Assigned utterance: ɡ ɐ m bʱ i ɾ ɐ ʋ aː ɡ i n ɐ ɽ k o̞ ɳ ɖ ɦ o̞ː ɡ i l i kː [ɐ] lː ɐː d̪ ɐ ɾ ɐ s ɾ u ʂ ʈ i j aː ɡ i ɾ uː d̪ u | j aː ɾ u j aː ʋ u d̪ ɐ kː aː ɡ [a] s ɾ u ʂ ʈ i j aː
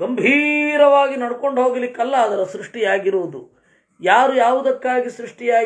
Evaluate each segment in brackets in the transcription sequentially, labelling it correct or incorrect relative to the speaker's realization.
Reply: correct, incorrect: i

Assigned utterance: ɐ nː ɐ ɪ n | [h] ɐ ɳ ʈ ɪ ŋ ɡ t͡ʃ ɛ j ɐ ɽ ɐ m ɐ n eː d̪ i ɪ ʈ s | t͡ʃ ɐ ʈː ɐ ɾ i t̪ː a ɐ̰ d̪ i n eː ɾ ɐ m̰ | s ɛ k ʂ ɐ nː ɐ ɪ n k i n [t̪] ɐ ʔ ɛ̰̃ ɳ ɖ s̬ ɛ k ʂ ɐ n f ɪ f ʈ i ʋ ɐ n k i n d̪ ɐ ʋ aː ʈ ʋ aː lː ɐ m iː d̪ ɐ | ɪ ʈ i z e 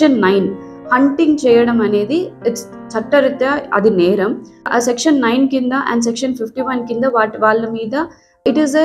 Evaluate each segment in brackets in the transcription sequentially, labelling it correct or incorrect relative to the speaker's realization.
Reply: correct, incorrect: d̪

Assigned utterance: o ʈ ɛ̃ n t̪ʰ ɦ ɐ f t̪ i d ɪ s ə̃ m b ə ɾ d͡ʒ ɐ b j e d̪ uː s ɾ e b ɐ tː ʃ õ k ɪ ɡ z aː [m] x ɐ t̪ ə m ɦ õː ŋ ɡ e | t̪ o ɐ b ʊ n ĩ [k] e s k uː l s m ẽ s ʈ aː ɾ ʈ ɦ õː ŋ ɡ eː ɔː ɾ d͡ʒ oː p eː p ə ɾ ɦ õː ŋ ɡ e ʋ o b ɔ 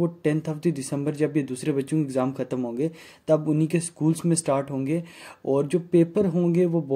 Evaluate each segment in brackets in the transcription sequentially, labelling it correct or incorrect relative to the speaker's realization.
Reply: correct, correct

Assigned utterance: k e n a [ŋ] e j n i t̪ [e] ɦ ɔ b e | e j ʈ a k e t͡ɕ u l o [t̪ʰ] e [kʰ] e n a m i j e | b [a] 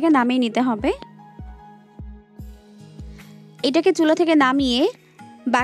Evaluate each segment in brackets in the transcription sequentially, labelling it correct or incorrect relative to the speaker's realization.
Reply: incorrect: m, correct, correct, incorrect: k, correct

